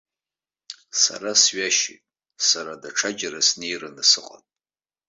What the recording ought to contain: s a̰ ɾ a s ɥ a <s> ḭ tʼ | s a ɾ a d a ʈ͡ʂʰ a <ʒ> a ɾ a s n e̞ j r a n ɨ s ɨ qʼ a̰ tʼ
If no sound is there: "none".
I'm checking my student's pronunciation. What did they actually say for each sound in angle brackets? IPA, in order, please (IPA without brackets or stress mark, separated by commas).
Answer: ʃ, d͡ʒ